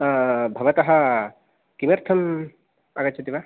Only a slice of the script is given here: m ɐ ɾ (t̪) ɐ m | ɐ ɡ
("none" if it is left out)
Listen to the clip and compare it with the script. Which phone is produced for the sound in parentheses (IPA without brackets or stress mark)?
t̪ʰ